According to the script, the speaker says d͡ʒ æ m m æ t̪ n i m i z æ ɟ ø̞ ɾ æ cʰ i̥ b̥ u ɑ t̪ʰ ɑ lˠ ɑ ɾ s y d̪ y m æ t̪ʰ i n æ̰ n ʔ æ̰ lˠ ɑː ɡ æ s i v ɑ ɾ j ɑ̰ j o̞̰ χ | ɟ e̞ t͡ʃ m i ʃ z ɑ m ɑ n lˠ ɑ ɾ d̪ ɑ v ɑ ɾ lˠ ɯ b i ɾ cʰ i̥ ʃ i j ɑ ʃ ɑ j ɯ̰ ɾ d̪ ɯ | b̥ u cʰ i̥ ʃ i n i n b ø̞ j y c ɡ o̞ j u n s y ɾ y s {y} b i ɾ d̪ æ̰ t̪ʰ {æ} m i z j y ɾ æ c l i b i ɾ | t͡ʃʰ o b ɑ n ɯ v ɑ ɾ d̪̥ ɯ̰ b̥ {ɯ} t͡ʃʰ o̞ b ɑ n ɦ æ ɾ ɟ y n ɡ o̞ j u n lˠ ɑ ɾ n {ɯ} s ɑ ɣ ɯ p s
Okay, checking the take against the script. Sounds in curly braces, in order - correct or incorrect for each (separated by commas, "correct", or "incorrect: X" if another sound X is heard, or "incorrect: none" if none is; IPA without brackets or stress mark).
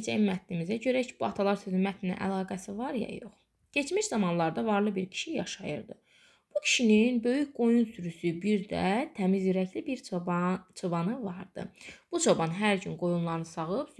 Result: correct, correct, incorrect: u, correct